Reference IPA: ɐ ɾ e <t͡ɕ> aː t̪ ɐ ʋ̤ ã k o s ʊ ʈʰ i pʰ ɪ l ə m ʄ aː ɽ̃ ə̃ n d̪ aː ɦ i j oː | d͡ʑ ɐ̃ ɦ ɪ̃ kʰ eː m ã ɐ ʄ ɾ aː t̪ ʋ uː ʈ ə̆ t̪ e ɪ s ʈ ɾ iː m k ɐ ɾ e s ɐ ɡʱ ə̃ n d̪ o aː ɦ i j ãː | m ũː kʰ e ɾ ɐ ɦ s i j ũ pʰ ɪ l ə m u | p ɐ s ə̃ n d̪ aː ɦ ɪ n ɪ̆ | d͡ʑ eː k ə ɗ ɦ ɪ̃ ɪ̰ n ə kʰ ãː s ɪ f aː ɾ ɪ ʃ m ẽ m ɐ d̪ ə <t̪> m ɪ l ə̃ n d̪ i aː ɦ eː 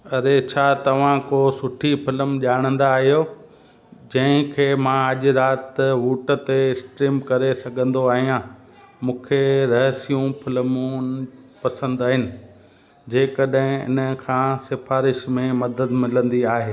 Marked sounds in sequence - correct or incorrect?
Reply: incorrect: t͡ɕʰ, incorrect: d̪

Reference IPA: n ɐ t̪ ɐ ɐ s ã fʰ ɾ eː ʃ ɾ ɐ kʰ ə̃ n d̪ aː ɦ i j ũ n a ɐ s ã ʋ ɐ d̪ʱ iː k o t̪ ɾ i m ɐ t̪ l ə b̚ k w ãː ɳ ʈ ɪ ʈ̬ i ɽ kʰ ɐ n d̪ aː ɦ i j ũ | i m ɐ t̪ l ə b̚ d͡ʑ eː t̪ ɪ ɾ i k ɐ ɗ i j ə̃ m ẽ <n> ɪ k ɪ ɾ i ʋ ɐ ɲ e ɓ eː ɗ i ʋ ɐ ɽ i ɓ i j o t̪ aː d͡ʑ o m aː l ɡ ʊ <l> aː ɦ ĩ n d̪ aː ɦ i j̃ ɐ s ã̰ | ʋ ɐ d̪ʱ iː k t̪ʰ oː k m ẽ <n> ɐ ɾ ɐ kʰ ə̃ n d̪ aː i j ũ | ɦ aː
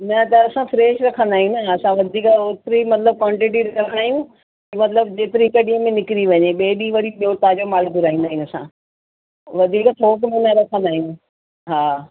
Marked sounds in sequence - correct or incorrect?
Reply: correct, incorrect: ɾ, correct

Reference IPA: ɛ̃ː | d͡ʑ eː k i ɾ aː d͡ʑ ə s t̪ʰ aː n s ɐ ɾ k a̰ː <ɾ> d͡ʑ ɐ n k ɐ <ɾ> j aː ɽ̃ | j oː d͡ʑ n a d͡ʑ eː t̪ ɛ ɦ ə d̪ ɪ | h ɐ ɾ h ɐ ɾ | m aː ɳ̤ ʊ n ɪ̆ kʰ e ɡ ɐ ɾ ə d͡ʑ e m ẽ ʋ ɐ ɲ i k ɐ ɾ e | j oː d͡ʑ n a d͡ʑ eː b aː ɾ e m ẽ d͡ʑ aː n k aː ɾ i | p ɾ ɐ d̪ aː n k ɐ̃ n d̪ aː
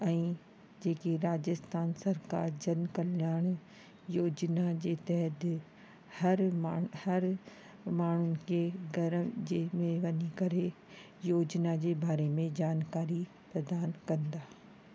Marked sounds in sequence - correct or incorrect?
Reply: correct, incorrect: l

